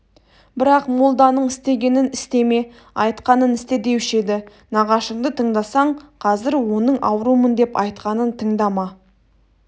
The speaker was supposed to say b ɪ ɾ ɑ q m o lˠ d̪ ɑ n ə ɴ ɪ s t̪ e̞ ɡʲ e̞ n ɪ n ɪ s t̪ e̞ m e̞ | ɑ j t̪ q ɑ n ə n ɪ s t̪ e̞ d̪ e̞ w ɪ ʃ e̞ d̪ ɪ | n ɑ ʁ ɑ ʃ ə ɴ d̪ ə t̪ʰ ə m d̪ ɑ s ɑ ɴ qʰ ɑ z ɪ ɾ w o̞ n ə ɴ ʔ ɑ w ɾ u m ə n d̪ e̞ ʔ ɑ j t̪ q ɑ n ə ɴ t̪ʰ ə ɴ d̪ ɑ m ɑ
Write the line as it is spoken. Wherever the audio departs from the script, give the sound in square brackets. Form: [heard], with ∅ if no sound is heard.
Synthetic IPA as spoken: b ɪ ɾ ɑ q m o lˠ d̪ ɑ n ə ɴ ɪ s t̪ e̞ ɡʲ e̞ n ɪ n ɪ s t̪ e̞ m e̞ | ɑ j t̪ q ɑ n ə n ɪ s t̪ e̞ d̪ e̞ w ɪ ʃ e̞ d̪ ɪ | n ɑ ʁ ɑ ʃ ə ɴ d̪ ə t̪ʰ ə [ɴ] d̪ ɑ s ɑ ɴ qʰ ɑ z ɪ ɾ w o̞ n ə ɴ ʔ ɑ w ɾ u m ə n d̪ e̞ [p] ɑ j t̪ q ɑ n ə [n] t̪ʰ ə ɴ d̪ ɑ m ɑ